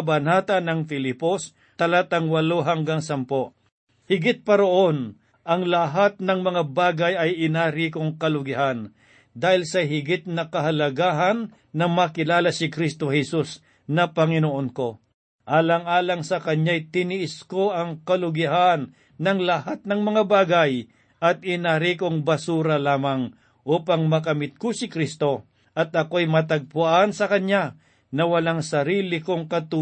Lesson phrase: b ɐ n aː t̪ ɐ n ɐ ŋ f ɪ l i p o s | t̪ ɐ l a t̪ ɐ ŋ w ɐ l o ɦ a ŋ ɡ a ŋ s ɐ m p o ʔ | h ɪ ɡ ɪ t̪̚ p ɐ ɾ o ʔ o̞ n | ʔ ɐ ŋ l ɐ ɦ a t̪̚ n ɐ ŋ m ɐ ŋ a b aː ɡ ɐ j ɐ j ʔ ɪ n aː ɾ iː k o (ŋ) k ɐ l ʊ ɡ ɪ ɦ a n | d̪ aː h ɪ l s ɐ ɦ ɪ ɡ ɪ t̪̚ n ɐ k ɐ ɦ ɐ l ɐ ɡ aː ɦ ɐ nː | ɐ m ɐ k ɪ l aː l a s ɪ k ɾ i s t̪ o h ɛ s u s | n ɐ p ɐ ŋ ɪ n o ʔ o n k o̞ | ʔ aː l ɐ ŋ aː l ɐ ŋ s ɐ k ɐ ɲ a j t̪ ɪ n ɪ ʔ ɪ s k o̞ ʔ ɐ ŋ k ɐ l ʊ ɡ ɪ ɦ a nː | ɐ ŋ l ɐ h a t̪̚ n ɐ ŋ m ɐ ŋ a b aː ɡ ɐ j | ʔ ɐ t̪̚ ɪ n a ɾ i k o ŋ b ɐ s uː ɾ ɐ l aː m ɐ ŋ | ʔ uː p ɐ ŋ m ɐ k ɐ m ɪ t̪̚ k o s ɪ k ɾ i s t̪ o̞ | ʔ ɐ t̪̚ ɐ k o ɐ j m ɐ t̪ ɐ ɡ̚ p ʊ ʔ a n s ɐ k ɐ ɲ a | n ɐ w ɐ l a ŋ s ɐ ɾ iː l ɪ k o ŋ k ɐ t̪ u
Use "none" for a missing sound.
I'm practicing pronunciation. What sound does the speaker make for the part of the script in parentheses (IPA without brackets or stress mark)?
ŋ